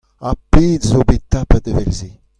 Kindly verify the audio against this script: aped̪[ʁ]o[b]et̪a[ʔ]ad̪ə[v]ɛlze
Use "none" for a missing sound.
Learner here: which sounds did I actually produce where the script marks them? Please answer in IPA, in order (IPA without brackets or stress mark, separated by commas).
z, b, p, v